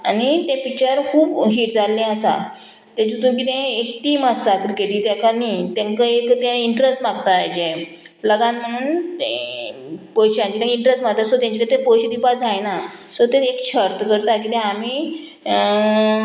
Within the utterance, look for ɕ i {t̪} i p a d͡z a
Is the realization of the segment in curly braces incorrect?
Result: yes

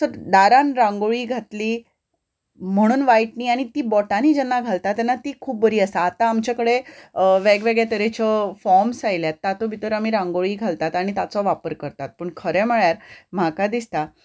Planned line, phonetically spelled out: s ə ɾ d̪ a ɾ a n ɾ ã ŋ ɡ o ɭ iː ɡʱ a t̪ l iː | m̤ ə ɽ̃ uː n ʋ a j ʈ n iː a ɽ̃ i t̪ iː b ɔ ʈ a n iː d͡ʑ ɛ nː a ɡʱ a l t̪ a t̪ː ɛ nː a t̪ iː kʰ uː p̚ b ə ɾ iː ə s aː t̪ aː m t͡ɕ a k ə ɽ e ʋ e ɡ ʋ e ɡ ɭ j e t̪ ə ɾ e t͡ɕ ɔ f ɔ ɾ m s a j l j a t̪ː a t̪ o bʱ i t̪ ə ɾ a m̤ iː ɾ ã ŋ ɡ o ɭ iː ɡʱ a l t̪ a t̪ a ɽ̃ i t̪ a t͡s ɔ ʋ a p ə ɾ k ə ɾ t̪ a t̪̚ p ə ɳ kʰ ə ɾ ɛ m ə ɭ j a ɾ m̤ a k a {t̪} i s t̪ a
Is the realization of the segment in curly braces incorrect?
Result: yes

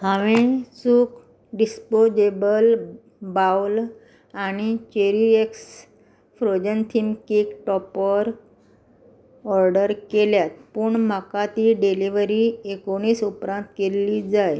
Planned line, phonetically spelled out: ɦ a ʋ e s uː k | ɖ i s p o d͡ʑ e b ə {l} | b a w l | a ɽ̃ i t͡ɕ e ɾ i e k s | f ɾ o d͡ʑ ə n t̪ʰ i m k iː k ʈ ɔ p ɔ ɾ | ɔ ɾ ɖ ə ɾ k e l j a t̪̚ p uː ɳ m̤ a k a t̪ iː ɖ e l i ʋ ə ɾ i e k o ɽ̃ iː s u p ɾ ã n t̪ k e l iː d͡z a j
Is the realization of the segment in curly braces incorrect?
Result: no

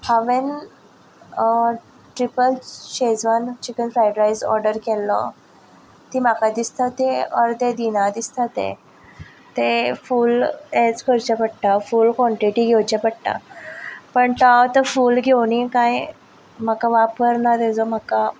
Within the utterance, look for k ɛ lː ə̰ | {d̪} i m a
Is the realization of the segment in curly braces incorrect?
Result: yes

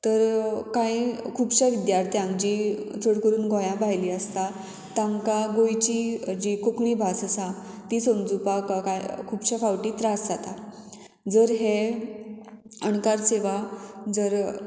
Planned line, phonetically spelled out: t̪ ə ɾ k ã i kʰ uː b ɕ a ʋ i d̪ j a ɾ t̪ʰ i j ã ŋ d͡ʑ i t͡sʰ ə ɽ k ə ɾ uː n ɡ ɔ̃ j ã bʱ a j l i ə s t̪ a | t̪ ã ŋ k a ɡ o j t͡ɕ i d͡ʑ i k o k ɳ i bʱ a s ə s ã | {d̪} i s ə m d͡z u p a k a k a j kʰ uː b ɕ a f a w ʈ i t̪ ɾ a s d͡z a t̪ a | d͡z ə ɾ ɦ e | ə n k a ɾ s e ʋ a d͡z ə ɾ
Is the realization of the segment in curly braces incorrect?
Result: yes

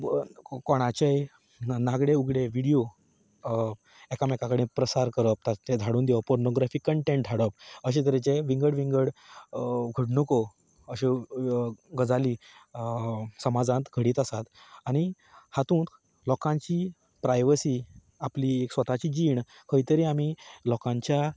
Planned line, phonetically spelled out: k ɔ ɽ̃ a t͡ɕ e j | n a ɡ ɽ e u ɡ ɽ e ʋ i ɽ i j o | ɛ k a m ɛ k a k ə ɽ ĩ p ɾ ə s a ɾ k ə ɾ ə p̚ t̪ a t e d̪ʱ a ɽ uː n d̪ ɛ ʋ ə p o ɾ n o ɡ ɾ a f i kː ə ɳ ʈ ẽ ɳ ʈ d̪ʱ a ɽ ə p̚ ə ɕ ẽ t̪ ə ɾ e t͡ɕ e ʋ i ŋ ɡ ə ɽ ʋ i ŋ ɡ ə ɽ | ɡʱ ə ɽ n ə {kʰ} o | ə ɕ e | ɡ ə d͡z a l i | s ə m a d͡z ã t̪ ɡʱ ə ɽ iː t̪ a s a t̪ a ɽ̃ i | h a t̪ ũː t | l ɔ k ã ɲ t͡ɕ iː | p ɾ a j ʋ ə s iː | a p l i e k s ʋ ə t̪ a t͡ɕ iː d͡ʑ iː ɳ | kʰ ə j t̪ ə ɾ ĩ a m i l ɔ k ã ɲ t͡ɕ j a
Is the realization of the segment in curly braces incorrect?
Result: yes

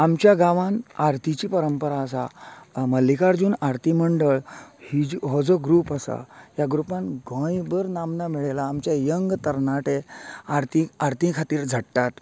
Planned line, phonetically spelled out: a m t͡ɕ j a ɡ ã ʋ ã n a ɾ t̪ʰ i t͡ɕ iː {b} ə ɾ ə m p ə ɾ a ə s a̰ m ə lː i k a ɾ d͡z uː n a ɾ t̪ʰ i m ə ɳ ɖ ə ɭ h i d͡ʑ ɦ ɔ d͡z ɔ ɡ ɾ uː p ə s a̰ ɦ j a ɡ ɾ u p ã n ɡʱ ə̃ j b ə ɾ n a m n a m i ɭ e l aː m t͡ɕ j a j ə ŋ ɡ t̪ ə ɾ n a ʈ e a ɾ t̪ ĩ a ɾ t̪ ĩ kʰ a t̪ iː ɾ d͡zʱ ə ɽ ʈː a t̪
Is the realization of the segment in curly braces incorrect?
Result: yes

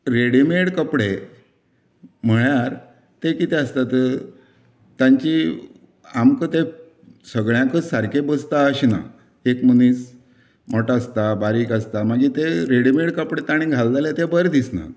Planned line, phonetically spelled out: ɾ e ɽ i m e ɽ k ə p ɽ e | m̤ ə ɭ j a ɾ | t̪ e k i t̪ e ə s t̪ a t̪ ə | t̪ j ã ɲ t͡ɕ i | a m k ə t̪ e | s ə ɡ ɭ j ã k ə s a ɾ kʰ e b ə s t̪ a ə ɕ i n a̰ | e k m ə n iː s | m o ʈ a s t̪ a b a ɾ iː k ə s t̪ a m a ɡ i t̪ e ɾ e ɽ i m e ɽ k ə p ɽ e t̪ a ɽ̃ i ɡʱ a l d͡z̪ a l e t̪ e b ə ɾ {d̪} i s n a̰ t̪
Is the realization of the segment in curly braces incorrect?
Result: no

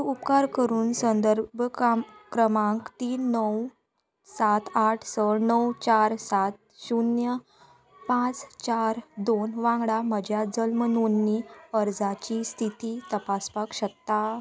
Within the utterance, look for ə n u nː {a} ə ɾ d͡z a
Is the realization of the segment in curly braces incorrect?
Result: yes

